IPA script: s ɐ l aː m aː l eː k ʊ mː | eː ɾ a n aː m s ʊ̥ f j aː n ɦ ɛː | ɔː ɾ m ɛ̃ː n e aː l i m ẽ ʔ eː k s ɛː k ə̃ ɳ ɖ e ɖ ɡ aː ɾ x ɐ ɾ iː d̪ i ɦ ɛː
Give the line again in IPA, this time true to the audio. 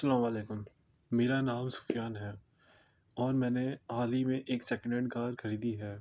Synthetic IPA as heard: s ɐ l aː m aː l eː k ʊ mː | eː ɾ a n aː m s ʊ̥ f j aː n ɦ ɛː | ɔː ɾ m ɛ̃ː n e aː l i m ẽ ʔ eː k s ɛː k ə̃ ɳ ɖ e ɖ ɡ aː ɾ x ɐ ɾ iː d̪ i ɦ ɛː